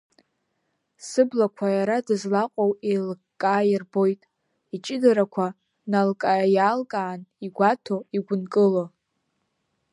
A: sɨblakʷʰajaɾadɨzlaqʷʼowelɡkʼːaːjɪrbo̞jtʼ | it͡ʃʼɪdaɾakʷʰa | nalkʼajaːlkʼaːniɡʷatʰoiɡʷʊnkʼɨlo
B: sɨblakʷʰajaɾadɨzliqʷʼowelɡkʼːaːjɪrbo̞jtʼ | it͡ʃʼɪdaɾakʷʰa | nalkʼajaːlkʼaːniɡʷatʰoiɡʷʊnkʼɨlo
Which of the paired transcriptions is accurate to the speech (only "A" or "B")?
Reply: A